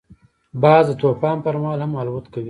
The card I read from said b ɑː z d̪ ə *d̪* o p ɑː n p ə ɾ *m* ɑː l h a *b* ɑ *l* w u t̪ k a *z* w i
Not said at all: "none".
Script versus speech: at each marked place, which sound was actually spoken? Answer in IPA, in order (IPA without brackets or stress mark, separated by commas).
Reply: t̪, m, m, l, none